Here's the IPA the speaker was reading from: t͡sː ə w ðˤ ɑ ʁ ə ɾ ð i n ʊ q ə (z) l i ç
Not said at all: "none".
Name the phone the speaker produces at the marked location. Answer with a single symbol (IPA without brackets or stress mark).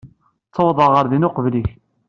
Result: v